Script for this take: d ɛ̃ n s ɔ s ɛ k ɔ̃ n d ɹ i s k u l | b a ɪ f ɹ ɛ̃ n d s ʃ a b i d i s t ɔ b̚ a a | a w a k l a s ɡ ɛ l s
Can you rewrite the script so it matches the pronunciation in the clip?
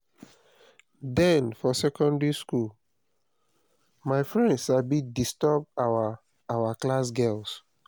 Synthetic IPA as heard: d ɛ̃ n f ɔ s ɛ k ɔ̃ n d ɹ i s k u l | m a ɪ f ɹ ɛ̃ n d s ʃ a b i d i s t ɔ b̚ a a | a w a k l a s ɡ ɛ l s